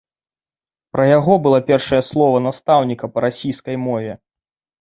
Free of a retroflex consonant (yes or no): no